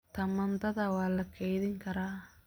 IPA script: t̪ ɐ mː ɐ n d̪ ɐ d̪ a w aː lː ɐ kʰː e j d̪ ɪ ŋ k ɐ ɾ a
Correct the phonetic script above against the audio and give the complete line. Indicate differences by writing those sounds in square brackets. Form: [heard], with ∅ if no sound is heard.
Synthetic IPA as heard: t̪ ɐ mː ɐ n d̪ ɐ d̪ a w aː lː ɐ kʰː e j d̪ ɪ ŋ k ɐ ɾ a